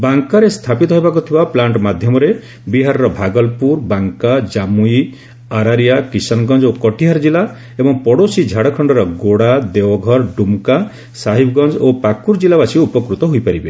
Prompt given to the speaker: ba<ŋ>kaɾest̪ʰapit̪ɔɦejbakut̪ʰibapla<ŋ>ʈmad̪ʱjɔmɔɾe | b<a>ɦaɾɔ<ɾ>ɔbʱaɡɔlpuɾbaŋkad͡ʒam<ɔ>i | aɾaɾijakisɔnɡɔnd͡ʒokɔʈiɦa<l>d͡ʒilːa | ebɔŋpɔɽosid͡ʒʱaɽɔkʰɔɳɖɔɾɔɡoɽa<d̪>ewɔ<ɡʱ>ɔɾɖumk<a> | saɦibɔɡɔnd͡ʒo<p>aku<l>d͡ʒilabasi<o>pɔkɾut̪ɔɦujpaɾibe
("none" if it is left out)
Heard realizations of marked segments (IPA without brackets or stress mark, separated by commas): ŋ, ɳ, i, ɾ, u, ɾ, d̪, ɡʱ, a, p, ɾ, u